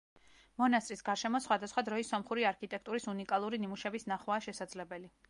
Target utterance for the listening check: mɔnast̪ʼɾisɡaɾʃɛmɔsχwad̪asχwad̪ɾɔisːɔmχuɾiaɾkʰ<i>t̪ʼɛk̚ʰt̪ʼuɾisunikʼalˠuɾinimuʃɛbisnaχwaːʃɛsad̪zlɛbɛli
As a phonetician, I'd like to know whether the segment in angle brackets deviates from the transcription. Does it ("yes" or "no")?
no